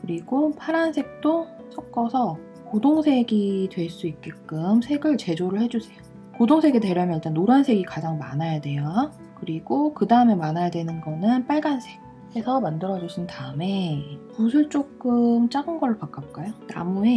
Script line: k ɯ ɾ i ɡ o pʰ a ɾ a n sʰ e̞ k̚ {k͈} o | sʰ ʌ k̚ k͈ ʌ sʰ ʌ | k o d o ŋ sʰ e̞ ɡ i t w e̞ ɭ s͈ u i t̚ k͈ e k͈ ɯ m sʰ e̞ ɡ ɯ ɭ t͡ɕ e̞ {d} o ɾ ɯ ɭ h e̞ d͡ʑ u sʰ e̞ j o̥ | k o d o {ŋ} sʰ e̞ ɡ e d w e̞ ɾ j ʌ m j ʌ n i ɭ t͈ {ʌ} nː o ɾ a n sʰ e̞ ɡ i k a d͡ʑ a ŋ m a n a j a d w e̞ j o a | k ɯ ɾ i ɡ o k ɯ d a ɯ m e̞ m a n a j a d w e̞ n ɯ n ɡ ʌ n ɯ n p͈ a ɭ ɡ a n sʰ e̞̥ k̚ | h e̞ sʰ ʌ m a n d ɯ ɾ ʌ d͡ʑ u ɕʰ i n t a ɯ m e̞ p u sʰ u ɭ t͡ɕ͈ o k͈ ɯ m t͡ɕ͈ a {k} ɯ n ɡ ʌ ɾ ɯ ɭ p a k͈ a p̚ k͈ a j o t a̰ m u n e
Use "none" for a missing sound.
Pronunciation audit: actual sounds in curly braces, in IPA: t͈, d͡ʑ, ŋ, a, ɡ

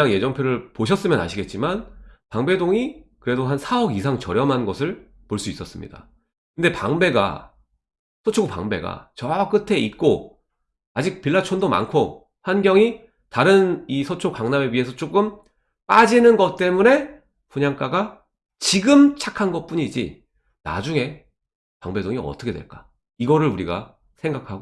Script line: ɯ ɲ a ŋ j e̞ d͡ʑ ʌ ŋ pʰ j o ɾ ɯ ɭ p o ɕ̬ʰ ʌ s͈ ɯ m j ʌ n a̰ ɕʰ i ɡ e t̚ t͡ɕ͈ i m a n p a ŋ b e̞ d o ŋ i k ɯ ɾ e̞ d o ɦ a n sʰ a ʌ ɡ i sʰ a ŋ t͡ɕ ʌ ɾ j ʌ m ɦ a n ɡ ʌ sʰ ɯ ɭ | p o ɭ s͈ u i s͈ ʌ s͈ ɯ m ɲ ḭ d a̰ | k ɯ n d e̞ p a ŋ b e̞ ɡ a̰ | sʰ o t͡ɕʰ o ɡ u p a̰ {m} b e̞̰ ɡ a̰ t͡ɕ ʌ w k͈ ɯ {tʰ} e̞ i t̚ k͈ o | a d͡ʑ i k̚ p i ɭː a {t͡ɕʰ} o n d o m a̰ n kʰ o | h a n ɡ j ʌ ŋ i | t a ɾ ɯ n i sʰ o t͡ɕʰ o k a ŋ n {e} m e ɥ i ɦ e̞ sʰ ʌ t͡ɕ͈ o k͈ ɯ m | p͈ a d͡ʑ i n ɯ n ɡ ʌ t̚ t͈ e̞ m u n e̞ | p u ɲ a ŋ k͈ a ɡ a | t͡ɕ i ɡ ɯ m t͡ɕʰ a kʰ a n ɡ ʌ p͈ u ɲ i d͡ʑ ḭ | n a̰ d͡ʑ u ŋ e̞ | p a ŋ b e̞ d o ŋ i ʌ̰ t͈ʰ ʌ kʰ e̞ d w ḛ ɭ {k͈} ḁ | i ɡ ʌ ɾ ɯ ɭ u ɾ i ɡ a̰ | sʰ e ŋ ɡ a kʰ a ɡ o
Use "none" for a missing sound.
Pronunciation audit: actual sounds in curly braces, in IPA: ŋ, tʰ, t͡ɕʰ, a, k͈

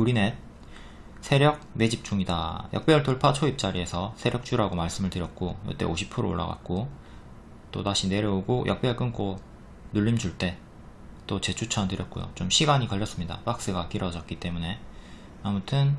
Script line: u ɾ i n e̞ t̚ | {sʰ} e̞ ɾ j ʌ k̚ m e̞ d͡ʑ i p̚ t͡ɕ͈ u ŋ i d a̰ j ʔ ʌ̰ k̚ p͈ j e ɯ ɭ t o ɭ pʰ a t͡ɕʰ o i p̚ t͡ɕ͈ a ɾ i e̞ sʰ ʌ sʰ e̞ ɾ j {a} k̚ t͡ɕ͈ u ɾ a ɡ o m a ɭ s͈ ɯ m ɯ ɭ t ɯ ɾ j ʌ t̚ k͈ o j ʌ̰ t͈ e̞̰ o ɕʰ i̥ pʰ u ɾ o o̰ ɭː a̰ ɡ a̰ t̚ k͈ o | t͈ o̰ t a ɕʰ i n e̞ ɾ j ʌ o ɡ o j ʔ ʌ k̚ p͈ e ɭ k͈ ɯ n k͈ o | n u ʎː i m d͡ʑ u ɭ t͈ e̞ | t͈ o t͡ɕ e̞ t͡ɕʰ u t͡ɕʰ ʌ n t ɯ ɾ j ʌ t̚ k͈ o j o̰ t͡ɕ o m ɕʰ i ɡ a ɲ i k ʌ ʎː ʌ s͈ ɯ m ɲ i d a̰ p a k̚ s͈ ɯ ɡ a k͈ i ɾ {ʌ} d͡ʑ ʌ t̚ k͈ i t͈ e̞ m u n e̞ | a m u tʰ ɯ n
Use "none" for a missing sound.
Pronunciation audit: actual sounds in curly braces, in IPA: sʰ, ʌ, ʌ

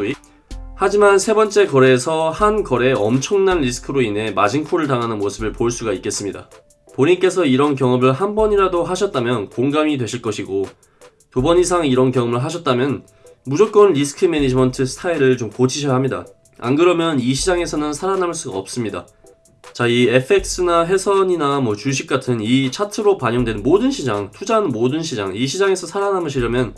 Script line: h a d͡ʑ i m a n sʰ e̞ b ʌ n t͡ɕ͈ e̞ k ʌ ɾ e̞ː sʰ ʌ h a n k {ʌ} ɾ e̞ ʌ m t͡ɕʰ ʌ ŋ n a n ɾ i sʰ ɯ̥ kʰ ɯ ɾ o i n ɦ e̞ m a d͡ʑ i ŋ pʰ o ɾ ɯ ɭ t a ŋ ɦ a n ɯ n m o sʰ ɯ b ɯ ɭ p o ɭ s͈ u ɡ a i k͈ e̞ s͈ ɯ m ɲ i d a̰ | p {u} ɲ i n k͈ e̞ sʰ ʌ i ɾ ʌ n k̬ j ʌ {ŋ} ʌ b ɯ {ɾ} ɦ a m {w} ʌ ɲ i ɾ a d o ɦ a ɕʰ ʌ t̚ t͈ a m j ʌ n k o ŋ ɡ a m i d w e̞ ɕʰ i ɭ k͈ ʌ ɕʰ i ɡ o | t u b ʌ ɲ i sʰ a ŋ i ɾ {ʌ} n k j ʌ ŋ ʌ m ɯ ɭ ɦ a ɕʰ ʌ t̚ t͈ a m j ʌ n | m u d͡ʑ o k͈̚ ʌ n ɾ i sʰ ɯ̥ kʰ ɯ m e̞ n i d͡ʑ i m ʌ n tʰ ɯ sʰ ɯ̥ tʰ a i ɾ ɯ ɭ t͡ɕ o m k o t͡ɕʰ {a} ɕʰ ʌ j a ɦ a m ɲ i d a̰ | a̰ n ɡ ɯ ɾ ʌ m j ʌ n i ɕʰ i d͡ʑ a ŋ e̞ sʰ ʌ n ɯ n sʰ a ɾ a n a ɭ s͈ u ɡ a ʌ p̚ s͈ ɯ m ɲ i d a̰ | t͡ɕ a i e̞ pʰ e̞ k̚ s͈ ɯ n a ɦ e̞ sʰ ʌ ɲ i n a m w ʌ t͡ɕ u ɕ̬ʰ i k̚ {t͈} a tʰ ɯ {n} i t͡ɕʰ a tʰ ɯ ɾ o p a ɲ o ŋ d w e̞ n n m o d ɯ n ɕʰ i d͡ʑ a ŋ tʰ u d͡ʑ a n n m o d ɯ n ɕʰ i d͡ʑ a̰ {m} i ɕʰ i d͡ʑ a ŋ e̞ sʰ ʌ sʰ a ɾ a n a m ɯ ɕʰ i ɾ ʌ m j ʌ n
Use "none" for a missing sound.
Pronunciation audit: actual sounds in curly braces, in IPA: ʌ, o, ŋ, ɭ, b, ʌ, i, k͈, n, ŋ

